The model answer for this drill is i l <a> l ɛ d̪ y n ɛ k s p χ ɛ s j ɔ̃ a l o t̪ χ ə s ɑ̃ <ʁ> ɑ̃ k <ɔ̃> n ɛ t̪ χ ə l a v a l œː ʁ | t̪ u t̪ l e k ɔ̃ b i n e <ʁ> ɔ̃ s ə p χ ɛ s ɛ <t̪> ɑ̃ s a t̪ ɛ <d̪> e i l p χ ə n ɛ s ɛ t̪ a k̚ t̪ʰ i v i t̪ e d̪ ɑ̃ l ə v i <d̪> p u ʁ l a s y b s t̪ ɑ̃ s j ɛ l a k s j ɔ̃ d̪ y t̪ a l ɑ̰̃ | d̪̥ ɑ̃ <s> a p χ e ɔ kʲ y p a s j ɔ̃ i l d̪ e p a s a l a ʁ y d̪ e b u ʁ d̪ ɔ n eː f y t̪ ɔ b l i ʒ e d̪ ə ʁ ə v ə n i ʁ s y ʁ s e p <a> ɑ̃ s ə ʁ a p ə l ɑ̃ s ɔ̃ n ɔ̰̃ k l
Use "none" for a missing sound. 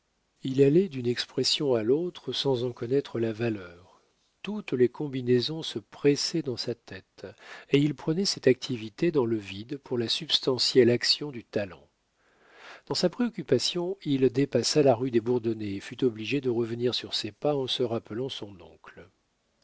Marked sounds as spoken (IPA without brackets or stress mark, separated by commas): a, z, ɔ, z, d̪, t̪, d̪, s, a